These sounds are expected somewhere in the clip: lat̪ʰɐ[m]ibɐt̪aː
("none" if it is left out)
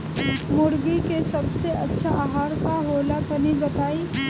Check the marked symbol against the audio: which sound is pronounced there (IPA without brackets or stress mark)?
n